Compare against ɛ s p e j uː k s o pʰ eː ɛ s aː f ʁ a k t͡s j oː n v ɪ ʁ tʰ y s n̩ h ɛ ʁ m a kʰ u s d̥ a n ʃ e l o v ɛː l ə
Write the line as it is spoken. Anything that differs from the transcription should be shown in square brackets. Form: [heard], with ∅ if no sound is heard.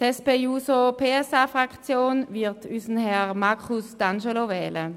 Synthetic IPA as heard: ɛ s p e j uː [∅] s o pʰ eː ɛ s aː f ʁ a k t͡s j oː n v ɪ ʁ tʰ y s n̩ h ɛ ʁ m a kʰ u s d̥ a n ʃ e l o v ɛː l ə